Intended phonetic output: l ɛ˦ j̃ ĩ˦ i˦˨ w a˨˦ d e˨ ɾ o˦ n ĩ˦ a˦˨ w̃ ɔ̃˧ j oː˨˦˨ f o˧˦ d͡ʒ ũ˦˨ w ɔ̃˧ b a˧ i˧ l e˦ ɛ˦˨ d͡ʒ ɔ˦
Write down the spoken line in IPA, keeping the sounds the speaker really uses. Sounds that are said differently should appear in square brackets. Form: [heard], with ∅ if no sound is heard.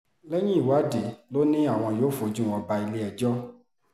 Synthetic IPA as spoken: l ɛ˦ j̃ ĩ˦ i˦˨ w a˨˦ d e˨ [l] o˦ n ĩ˦ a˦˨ w̃ ɔ̃˧ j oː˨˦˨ f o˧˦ d͡ʒ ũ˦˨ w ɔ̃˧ b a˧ i˧ l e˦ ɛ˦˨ d͡ʒ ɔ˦